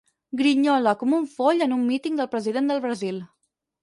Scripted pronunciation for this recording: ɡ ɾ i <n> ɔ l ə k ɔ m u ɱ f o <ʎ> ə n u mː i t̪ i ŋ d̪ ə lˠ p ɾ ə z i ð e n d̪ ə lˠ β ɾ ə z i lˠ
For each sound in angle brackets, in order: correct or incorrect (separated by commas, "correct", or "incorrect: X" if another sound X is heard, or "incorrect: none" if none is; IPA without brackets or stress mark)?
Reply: incorrect: ɲ, correct